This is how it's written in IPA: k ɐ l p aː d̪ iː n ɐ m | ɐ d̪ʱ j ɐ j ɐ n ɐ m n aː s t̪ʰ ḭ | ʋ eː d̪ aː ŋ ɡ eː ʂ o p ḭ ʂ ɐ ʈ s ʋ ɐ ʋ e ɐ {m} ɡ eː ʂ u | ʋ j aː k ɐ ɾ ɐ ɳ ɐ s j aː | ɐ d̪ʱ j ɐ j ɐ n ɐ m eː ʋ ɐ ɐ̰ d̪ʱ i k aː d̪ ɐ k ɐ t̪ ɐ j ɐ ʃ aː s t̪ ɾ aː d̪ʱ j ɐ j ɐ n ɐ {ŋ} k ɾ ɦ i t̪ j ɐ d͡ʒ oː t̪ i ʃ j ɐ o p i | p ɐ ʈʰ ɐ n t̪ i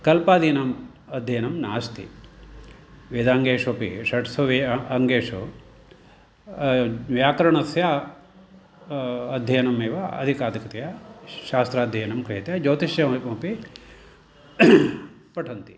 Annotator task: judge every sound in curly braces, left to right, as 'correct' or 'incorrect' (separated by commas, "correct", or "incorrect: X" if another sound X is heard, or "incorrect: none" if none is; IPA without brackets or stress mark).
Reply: incorrect: ŋ, incorrect: m